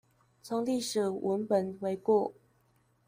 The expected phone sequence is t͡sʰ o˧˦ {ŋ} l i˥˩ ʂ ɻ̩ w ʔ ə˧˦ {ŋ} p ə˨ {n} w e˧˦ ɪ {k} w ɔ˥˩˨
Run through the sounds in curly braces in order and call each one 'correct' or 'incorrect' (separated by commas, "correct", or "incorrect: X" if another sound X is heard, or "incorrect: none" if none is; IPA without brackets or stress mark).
correct, incorrect: n, correct, correct